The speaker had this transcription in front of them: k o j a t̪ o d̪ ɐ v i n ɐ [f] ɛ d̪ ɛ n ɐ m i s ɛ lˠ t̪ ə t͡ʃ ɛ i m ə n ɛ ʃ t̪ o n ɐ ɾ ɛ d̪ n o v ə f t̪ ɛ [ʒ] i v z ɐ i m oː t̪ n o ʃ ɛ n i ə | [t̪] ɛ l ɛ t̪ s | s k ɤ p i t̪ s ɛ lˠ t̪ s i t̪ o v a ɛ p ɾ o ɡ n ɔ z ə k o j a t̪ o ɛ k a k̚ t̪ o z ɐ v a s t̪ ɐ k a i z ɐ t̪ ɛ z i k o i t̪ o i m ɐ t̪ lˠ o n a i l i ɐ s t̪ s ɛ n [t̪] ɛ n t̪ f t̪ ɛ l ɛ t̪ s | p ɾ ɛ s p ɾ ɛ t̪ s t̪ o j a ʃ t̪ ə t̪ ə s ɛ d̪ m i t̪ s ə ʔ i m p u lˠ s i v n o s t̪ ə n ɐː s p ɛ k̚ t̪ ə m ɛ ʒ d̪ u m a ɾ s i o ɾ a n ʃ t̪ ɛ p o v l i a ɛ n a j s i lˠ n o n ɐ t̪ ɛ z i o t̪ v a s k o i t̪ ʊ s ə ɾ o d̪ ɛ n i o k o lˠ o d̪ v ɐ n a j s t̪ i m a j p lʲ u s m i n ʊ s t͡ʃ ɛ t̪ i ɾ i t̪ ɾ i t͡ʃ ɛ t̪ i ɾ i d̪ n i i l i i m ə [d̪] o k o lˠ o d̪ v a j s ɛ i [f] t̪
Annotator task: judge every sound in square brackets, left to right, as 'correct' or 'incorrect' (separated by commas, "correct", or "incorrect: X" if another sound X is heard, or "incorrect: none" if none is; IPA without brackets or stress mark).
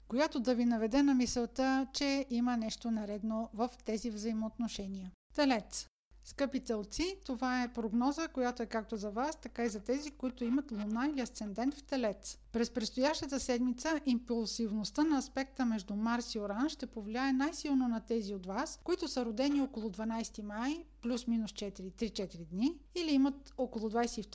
incorrect: v, incorrect: z, correct, incorrect: d̪, incorrect: t̪, correct